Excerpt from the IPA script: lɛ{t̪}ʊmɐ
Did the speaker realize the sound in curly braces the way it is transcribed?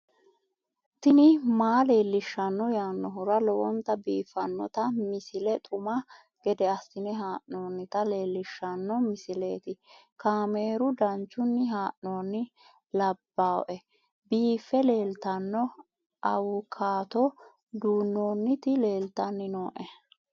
no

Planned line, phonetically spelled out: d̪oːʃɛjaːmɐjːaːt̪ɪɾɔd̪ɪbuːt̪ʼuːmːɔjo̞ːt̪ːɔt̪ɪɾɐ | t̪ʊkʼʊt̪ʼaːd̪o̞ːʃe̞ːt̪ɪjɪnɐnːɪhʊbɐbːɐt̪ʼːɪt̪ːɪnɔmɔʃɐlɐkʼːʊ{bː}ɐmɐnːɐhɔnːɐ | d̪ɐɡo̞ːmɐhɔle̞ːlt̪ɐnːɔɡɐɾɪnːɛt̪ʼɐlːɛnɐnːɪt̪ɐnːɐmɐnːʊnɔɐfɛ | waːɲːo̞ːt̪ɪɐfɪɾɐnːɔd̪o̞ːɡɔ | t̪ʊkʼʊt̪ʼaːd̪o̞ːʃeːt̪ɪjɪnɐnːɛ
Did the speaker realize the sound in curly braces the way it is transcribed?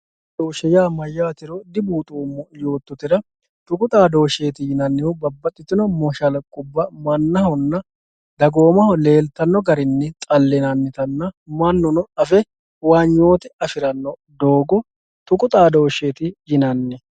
yes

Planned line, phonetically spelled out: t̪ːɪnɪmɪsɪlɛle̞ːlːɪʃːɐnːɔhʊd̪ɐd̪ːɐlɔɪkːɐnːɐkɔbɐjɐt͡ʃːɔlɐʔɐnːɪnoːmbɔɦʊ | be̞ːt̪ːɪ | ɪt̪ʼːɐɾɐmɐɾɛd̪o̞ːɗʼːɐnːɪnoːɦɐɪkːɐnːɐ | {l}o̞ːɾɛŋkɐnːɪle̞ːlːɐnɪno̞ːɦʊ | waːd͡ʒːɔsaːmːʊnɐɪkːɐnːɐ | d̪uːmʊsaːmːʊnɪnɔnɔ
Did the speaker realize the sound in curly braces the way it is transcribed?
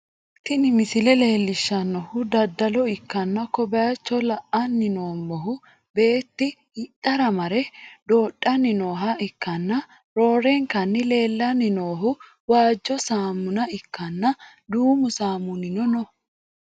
no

